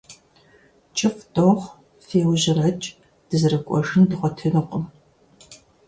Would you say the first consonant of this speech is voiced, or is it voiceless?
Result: voiceless